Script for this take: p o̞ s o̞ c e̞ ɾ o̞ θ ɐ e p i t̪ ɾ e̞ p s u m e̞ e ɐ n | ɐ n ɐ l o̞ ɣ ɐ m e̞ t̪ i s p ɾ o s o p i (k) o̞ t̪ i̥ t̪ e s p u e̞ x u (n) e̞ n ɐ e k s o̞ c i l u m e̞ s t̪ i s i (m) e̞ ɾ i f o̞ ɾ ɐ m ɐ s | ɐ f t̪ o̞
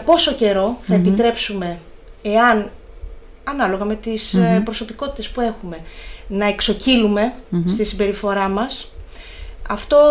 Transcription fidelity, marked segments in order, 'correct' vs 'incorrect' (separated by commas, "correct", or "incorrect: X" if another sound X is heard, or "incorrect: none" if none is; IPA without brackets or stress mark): correct, incorrect: m, incorrect: b